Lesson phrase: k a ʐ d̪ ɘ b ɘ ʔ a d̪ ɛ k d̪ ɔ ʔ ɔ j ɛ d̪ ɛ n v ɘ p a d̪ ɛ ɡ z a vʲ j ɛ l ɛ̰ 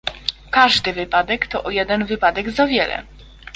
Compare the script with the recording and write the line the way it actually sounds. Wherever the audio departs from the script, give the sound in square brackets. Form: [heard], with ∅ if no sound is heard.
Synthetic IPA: k a ʐ d̪ ɘ [v] ɘ [p] a d̪ ɛ k [t̪] ɔ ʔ ɔ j ɛ d̪ ɛ n v ɘ p a d̪ ɛ ɡ z a vʲ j ɛ l ɛ̰